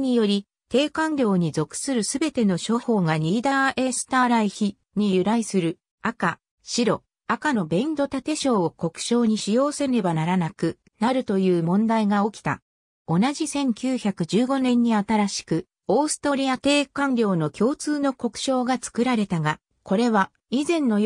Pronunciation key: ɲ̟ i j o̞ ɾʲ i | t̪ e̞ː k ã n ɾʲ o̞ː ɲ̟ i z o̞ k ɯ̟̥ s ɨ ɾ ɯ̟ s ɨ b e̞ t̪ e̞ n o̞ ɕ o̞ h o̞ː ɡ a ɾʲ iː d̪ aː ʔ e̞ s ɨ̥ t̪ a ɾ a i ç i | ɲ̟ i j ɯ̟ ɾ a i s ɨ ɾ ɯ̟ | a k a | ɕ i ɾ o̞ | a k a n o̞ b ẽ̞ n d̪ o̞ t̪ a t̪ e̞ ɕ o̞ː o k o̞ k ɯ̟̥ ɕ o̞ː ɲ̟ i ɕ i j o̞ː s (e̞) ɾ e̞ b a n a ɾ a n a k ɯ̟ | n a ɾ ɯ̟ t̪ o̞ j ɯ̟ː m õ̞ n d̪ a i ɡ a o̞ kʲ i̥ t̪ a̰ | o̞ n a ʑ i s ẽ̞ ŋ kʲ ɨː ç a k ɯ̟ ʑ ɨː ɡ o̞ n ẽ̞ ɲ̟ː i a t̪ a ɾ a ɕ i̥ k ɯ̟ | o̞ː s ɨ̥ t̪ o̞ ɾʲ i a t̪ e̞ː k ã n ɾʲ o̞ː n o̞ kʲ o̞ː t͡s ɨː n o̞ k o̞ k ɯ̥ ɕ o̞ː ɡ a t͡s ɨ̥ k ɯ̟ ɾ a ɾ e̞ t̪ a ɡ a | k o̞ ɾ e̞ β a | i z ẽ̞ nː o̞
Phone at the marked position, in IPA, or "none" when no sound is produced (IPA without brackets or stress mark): e̞